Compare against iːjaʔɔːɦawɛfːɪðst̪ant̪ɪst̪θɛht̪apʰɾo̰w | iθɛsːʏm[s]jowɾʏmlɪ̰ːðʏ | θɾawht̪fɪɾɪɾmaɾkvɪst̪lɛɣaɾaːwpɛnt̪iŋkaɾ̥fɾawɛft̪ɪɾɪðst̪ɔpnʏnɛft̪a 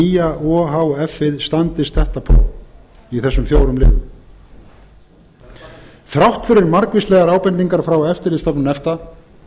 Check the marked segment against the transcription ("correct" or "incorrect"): incorrect